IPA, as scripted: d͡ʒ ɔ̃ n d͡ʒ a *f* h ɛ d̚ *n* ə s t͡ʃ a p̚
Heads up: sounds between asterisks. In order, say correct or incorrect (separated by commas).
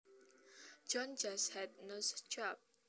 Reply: incorrect, correct